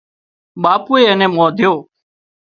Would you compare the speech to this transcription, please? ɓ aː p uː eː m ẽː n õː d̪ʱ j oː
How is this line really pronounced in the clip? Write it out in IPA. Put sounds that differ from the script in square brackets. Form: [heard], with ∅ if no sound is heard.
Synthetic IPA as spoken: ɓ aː p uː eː [n] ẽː [m] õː d̪ʱ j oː